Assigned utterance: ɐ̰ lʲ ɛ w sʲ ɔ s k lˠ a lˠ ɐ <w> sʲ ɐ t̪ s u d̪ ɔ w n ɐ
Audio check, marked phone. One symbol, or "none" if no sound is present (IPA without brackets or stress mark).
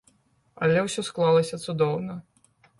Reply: none